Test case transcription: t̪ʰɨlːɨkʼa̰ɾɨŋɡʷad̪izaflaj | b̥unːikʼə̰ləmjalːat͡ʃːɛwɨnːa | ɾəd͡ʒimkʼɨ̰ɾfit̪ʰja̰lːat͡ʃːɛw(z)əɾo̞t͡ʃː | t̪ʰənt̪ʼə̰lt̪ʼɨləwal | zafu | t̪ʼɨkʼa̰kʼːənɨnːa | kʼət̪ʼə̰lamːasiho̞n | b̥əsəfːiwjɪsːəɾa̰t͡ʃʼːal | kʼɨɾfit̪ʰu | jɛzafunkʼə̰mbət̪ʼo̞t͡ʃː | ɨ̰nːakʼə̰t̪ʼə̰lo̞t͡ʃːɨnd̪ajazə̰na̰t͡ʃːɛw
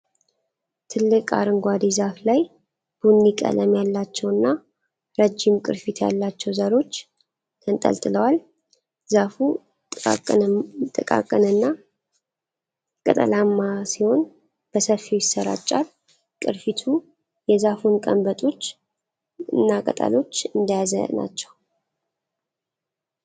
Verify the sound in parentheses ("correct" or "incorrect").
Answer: correct